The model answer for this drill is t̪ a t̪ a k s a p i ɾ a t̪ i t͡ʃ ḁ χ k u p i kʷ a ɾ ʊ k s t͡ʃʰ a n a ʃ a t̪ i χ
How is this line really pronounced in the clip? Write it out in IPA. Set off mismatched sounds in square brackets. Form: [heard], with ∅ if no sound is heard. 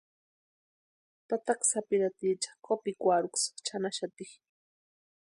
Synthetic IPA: t̪ a t̪ a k s a p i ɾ a t̪ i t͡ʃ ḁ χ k [o] p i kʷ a ɾ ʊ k s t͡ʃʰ a n a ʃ a t̪ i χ